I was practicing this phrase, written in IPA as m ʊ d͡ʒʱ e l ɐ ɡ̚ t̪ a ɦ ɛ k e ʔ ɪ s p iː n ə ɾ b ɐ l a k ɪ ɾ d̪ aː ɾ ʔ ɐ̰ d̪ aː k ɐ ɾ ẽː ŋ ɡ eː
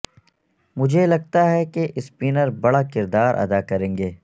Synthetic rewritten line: m ʊ d͡ʒʱ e l ɐ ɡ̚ t̪ a ɦ ɛ k e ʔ ɪ s p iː n ə ɾ b ɐ ɽ a k ɪ ɾ d̪ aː ɾ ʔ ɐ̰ d̪ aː k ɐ ɾ ẽː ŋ ɡ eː